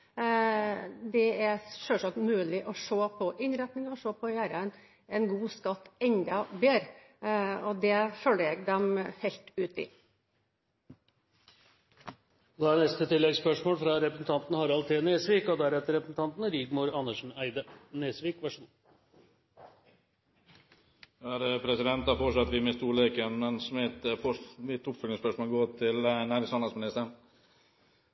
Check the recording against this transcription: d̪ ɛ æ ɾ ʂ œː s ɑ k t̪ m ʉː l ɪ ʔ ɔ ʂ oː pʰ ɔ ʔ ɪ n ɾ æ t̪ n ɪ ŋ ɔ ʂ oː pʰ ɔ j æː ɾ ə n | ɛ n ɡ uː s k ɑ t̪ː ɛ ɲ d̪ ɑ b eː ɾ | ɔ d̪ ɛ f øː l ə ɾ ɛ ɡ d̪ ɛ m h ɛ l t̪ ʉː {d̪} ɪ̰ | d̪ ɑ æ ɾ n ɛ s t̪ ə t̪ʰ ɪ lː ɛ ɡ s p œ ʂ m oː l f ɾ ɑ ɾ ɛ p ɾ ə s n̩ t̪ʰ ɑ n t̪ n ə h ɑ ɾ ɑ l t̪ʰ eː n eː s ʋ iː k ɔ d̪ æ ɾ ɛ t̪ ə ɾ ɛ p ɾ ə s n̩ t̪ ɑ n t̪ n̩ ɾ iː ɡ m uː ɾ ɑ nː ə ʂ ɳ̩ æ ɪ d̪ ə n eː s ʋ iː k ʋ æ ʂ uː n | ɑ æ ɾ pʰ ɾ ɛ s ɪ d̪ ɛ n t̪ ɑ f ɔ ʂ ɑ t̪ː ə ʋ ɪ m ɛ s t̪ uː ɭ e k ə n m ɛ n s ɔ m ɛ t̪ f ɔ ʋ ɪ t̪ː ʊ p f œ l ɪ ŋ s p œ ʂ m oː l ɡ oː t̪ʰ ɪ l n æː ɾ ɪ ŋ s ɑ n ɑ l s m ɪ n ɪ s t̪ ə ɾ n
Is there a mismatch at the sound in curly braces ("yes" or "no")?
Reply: yes